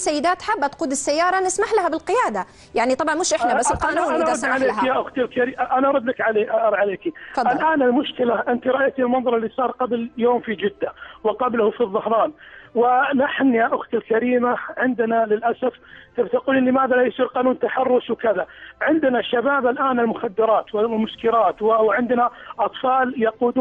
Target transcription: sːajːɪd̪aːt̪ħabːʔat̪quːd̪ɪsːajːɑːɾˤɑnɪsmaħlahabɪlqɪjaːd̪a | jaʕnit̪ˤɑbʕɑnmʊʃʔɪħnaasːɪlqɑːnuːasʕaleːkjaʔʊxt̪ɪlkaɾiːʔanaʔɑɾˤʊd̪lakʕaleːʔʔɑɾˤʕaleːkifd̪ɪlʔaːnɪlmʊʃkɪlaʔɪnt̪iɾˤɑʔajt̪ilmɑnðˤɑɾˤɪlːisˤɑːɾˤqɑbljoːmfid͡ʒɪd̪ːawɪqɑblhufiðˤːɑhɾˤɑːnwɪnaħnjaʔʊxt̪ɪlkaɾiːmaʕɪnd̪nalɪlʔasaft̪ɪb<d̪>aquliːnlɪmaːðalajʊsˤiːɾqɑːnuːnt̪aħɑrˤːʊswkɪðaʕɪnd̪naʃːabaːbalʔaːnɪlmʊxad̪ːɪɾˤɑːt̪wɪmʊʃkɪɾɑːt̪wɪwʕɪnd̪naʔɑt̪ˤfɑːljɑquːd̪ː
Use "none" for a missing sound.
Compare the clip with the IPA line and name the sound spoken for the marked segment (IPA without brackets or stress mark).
t̪